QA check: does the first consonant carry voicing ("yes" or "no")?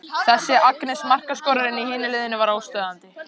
no